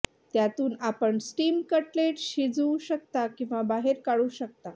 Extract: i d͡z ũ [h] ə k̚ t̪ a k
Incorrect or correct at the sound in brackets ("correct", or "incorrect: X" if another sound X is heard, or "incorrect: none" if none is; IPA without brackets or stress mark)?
incorrect: ɕ